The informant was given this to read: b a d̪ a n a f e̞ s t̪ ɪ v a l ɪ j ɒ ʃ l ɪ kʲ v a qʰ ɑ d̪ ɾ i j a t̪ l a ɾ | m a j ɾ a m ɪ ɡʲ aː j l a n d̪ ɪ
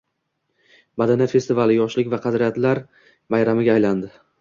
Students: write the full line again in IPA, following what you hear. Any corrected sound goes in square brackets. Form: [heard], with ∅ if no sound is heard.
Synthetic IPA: b a d̪ a n a f e̞ s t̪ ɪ v a l ɪ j ɒ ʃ l ɪ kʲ v a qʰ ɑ d̪ ɾ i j a t̪ l a ɾ | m a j ɾ a m ɪ ɡʲ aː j l a n d̪ ɪ

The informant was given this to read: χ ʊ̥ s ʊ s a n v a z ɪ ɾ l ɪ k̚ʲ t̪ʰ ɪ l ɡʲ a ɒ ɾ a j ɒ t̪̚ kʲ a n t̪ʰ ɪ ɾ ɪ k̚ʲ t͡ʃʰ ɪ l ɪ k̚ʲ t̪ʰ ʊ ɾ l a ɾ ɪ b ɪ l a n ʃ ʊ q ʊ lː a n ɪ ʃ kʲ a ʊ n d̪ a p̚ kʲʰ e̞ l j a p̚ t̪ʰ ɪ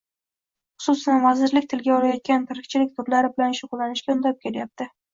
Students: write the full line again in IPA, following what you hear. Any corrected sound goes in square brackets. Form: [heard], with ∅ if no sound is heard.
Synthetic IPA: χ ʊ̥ s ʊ s a n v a z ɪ ɾ l ɪ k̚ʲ t̪ʰ ɪ l ɡʲ a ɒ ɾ a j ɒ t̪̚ kʲ a n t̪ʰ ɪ ɾ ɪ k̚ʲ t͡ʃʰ ɪ l ɪ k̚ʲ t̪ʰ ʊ ɾ l a ɾ ɪ b ɪ l a n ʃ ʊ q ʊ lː a n ɪ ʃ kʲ a ʊ n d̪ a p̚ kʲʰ e̞ l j a p̚ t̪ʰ ɪ

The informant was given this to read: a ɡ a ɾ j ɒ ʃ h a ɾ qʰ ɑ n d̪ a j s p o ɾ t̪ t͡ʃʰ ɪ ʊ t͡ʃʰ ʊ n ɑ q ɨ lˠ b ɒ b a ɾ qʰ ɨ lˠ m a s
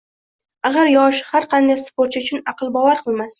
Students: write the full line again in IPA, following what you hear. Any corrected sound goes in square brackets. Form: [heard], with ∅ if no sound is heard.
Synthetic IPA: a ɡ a ɾ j ɒ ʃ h a ɾ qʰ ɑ n d̪ a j s p o ɾ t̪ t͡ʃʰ ɪ ʊ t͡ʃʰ ʊ n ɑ q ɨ lˠ b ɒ [v] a ɾ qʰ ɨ lˠ m a s

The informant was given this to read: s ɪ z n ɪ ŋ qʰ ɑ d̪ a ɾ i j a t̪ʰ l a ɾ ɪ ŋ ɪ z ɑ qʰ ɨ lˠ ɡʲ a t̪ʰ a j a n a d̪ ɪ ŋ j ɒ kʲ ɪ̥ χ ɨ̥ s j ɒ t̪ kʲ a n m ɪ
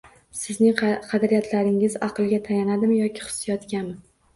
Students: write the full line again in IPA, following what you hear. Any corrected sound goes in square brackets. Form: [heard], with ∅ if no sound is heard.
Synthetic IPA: s ɪ z n ɪ ŋ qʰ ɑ d̪ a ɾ i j a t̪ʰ l a ɾ ɪ ŋ ɪ z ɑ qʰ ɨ lˠ ɡʲ a t̪ʰ a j a n a d̪ ɪ [m] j ɒ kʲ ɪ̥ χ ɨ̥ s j ɒ t̪ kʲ a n m ɪ

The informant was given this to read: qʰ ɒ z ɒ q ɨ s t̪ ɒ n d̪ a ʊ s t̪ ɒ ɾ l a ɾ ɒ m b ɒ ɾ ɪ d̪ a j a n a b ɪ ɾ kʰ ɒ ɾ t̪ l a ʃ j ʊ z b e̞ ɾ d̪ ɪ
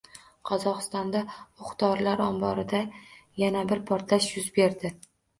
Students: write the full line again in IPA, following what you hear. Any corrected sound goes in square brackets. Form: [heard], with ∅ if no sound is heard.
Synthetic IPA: qʰ ɒ z ɒ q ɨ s t̪ ɒ n d̪ a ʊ [χ] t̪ ɒ ɾ l a ɾ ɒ m b ɒ ɾ ɪ d̪ a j a n a b ɪ ɾ [pʰ] ɒ ɾ t̪ l a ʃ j ʊ z b e̞ ɾ d̪ ɪ

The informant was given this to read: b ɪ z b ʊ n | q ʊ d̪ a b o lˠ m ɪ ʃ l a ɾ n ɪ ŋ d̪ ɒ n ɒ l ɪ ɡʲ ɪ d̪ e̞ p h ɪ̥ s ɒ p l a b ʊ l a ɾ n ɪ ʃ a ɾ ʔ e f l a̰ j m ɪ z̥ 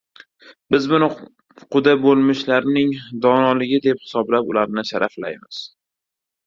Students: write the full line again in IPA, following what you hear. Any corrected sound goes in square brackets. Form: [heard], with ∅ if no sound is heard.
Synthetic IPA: b ɪ z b ʊ n | q ʊ d̪ a b o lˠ m ɪ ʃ l a ɾ n ɪ ŋ d̪ ɒ n ɒ l ɪ ɡʲ ɪ d̪ e̞ p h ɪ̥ s ɒ [b] l a [p] ʊ l a ɾ n ɪ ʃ a ɾ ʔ [a] f l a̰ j m ɪ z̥

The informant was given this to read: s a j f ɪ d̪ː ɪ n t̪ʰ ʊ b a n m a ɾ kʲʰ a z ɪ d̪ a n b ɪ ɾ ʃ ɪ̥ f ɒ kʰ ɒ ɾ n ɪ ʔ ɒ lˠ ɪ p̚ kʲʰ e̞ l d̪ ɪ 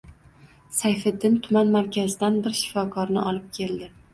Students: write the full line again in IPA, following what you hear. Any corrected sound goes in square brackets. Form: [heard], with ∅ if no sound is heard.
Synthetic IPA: s a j f ɪ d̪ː ɪ n t̪ʰ ʊ [m] a n m a ɾ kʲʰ a z ɪ d̪ a n b ɪ ɾ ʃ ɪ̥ f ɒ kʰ ɒ ɾ n ɪ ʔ ɒ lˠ ɪ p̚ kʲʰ e̞ l d̪ ɪ

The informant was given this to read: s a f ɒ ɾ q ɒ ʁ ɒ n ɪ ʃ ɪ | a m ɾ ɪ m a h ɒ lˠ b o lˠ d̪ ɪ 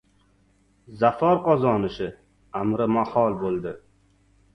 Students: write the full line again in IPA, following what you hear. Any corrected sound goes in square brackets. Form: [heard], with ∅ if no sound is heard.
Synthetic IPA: [z] a f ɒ ɾ q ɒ [z] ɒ n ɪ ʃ ɪ | a m ɾ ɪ m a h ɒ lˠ b o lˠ d̪ ɪ

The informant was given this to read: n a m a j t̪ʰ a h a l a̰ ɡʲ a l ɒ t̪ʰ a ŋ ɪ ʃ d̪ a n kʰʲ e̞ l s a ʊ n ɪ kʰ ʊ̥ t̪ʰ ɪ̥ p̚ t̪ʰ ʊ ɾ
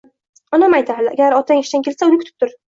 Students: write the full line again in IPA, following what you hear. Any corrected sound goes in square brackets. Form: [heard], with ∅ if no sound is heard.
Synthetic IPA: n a m a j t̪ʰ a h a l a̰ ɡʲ a [ɾ] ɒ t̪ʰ a ŋ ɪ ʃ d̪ a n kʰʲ e̞ l s a ʊ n ɪ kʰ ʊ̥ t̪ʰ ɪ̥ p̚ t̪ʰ ʊ ɾ

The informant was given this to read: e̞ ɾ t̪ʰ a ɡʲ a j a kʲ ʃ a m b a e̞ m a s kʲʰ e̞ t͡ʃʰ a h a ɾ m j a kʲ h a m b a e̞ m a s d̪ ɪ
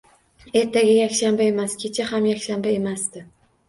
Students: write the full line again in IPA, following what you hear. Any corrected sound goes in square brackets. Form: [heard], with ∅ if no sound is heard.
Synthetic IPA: e̞ ɾ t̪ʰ a ɡʲ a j a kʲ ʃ a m b a e̞ m a s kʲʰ e̞ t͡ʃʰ a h a [∅] m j a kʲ [ʃ] a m b a e̞ m a s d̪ ɪ

